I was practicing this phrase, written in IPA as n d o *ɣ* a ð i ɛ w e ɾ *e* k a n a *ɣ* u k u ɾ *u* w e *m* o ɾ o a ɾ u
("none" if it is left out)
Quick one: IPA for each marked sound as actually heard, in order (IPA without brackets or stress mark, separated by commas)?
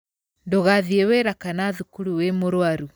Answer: ɣ, a, ð, u, m